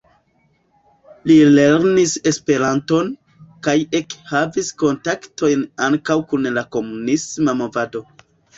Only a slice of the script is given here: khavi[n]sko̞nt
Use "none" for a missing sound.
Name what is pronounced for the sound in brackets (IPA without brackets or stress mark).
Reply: none